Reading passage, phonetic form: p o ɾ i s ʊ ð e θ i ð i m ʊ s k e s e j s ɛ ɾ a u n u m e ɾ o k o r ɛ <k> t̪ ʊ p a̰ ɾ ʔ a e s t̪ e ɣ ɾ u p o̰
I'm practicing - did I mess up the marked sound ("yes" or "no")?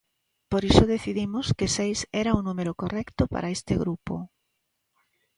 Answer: no